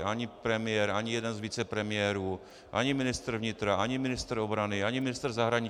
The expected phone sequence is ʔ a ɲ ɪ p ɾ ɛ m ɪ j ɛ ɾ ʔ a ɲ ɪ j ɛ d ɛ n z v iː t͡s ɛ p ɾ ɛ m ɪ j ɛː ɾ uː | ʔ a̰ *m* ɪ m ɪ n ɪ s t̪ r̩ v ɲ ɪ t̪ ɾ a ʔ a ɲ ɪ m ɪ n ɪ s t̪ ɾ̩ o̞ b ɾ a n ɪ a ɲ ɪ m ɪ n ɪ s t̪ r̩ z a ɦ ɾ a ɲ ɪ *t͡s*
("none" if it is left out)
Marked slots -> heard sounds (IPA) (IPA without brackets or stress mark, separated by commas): ɲ, none